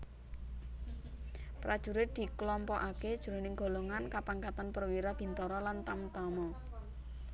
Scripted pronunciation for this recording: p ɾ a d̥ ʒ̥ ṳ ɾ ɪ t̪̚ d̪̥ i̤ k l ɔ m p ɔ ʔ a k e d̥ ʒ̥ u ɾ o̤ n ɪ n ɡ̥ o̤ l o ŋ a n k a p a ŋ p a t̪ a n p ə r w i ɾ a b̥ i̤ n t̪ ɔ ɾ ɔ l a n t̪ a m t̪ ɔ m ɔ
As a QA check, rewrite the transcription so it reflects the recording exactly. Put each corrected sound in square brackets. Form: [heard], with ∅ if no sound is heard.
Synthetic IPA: p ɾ a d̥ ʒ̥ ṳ ɾ ɪ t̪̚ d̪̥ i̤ k l ɔ m p ɔ ʔ a k e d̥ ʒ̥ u ɾ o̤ n ɪ [ŋ] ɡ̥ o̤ l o ŋ a n k a p a ŋ [k] a t̪ a n p ə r w i ɾ a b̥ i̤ n t̪ ɔ ɾ ɔ l a n t̪ a m t̪ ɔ m ɔ